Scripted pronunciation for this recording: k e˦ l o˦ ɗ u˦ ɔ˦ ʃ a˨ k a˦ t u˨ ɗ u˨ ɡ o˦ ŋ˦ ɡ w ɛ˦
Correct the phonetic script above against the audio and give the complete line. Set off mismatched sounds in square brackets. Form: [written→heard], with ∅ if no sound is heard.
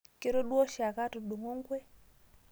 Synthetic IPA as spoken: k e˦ [l→ɾ] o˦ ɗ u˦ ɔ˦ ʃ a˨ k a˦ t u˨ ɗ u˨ [ɡ→ŋ] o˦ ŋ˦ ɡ w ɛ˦